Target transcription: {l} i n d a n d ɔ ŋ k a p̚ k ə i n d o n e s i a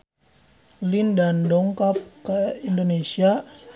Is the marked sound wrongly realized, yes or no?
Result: no